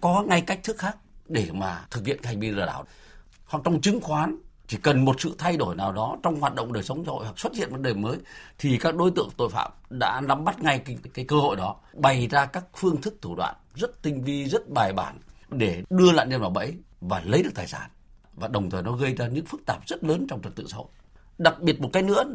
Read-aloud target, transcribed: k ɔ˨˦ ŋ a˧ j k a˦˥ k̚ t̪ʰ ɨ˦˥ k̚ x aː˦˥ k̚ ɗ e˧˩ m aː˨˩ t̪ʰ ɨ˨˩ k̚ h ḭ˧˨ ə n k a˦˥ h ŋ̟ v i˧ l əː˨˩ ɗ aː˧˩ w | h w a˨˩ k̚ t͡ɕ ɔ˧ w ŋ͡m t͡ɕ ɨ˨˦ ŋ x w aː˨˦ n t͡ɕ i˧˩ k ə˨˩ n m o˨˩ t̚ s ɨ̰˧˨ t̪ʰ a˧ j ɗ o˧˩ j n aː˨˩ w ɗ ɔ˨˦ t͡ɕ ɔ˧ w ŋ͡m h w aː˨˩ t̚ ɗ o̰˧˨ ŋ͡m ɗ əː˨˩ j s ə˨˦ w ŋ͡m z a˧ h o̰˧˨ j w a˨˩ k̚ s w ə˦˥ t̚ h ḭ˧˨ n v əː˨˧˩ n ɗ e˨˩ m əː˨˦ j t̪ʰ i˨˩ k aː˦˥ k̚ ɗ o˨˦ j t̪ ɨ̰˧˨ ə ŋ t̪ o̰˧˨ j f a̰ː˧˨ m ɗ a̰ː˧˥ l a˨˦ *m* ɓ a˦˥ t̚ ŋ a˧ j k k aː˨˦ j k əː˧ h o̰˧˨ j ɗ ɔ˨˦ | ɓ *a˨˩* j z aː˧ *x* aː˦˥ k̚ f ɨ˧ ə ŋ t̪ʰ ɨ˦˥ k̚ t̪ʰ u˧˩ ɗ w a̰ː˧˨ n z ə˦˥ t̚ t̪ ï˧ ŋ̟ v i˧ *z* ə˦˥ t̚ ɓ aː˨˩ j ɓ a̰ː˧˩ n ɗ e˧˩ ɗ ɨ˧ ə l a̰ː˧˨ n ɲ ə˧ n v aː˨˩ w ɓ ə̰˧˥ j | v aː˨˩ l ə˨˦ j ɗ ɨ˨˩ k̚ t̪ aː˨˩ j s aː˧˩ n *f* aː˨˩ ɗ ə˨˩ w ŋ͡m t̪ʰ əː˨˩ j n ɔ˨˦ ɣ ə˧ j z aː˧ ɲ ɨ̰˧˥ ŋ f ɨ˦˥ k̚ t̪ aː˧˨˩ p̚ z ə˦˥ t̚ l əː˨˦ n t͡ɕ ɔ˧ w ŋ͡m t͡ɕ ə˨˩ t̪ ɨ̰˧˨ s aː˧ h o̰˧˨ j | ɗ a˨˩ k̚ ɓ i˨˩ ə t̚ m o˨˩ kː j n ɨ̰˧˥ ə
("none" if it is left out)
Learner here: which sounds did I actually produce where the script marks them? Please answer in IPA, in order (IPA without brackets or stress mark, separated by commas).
m, a˨˩, k, z, v